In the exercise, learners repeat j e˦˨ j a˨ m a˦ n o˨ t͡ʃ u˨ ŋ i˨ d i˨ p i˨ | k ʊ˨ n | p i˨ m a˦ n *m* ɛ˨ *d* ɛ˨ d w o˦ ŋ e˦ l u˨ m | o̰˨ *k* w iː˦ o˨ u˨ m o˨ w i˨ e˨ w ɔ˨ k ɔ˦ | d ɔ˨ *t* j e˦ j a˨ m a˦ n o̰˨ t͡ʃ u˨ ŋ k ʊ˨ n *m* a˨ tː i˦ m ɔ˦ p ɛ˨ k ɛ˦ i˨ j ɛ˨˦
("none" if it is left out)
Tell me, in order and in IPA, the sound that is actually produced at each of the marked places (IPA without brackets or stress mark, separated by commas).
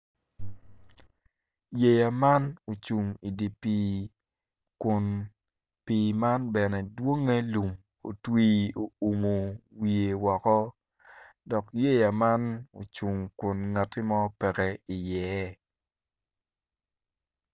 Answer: b, n, t, k, ŋ